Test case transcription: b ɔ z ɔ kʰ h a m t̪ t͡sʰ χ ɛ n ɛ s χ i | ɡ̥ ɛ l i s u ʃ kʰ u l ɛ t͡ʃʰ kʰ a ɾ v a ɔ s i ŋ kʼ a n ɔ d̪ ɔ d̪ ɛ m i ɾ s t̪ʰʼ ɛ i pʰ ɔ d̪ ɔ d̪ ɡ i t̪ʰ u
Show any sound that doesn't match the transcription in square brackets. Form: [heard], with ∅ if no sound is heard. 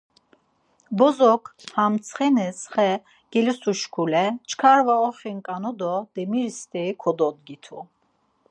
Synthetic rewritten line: b ɔ z ɔ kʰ h a m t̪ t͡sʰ χ ɛ n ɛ s χ [ɛ] | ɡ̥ ɛ l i s u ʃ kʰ u l ɛ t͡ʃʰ kʰ a ɾ v a ɔ [χ] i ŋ kʼ a n ɔ d̪ ɔ d̪ ɛ m i ɾ s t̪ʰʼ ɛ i [kʰ] ɔ d̪ ɔ d̪ ɡ i t̪ʰ u